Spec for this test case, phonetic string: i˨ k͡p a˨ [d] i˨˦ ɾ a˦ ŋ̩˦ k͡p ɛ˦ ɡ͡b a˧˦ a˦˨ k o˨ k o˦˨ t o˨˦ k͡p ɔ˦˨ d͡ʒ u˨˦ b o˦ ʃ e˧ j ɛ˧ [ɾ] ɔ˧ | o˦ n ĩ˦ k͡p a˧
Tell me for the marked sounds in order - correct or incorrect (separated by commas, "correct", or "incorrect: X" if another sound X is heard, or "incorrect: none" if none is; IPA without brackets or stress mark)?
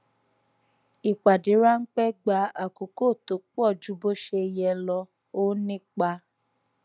correct, incorrect: l